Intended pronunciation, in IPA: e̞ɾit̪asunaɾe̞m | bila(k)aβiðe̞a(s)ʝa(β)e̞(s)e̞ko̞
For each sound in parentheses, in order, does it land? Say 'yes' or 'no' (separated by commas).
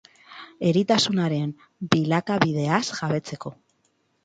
yes, yes, yes, no